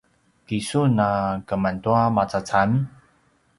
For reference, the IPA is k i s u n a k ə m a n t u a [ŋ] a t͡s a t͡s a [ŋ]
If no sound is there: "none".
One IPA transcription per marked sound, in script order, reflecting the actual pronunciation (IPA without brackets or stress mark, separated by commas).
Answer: m, m